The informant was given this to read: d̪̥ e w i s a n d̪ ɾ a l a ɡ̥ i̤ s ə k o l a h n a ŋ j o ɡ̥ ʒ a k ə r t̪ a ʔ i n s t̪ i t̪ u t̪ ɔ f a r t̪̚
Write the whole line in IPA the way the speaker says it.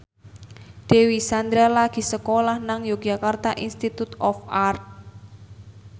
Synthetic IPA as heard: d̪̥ e w i s a n d̪ ɾ a l a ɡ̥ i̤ s ə k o l a h n a ŋ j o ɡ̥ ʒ a k a r t̪ a ʔ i n s t̪ i t̪ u t̪ ɔ f a r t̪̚